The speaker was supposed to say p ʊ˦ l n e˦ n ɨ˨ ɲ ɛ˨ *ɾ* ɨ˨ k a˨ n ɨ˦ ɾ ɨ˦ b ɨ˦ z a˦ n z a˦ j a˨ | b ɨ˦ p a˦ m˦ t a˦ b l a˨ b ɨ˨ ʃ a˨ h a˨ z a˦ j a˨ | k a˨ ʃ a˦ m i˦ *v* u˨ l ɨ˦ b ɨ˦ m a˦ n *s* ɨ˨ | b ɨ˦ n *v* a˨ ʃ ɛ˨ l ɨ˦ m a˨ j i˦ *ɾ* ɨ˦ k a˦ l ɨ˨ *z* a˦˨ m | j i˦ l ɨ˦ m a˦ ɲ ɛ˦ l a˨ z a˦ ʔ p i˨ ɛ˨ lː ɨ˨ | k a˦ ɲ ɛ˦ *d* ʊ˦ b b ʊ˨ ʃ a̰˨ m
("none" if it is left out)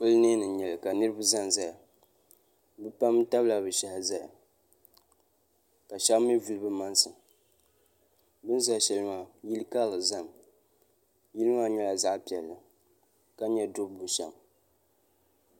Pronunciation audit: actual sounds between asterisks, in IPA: l, v, s, z, l, z, d

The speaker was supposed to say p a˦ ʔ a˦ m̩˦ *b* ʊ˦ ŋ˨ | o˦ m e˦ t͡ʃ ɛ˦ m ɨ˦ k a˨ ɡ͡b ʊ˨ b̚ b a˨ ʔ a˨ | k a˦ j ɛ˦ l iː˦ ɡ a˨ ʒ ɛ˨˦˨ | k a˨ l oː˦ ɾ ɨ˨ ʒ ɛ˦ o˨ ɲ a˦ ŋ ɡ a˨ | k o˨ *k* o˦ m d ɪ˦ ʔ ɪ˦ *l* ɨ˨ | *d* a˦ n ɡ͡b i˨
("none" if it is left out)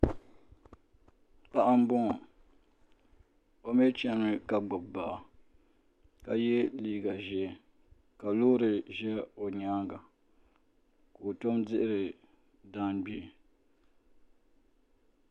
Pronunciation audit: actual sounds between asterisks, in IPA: b, t, ɾ, d

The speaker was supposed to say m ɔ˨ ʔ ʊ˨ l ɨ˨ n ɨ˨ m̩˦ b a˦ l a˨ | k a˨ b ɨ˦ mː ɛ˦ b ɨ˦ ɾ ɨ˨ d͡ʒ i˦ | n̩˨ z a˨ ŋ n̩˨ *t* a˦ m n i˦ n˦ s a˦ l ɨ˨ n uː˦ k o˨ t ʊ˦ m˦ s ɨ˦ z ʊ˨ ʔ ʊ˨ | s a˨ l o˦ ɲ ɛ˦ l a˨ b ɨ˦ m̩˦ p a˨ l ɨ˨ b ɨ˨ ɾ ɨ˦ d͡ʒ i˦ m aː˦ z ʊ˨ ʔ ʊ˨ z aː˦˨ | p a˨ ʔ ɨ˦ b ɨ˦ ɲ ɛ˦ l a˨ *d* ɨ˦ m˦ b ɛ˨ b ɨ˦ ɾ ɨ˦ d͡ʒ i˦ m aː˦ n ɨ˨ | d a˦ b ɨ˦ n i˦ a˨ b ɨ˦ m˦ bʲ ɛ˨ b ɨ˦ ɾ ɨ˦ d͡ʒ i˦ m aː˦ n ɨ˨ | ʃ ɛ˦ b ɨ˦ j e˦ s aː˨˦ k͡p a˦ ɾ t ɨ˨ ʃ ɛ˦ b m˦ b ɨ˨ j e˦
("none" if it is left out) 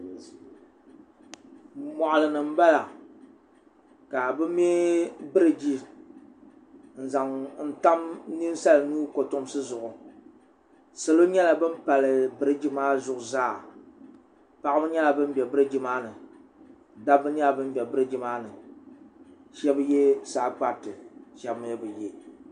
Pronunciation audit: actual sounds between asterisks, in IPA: t, b

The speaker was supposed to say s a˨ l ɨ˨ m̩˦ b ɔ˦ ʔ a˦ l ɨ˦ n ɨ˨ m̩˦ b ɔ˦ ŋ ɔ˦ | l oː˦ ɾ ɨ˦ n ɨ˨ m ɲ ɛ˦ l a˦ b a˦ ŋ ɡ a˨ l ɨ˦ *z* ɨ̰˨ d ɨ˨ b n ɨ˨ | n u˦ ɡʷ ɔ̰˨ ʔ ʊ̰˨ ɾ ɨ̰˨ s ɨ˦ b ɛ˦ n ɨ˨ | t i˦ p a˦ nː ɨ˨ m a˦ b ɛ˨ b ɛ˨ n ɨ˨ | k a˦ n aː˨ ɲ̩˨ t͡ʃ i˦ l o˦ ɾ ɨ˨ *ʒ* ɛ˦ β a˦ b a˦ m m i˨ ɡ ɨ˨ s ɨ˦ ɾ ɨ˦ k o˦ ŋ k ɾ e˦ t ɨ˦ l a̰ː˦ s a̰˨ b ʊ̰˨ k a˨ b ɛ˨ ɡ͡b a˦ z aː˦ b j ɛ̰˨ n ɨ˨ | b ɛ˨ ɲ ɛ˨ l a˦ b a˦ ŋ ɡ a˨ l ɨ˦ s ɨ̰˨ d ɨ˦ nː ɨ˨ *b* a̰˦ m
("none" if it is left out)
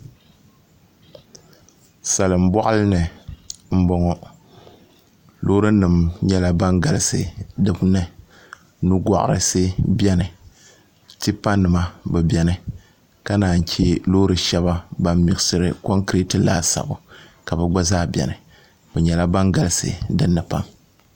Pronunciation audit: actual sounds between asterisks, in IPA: s, ʃ, p

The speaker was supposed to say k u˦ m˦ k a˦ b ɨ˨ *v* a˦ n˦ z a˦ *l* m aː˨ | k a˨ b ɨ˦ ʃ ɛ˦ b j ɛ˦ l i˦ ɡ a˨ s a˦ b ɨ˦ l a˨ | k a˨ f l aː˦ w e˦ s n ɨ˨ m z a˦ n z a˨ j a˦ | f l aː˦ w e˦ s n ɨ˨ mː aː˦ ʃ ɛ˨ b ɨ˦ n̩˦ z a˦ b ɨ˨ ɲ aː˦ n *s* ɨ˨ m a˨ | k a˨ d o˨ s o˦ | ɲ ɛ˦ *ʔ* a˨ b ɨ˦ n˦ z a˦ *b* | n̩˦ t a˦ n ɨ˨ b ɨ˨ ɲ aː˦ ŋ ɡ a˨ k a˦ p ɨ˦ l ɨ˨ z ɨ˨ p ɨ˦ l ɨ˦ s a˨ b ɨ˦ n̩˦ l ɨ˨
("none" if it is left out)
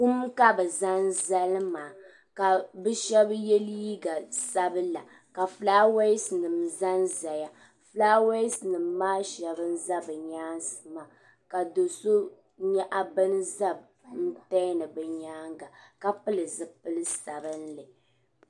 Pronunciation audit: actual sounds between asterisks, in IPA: z, l, s, ʔ, b

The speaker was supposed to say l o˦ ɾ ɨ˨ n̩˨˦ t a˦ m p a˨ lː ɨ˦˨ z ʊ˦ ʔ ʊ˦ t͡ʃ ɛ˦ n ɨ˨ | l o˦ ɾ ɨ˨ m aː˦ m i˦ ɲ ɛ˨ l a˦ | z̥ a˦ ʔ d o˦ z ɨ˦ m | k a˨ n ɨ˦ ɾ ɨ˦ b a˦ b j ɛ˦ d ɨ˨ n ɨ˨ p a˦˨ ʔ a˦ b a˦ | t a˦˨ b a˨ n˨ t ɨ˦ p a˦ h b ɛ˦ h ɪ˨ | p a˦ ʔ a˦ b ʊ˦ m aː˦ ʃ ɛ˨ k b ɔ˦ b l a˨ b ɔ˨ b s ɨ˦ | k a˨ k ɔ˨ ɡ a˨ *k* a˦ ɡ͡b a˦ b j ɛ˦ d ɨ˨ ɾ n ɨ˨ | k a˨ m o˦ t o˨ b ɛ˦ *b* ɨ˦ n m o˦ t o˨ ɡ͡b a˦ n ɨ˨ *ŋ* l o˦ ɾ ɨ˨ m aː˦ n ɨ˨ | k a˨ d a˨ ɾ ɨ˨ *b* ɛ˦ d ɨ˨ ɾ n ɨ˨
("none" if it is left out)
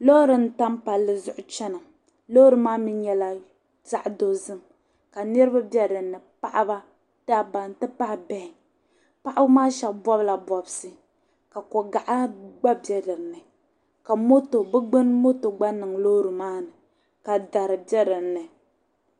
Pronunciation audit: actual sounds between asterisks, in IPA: ʔ, ɡ͡b, ŋ, b

